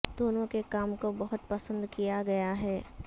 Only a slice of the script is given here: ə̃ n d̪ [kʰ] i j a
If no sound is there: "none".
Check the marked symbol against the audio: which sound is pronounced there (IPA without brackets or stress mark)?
k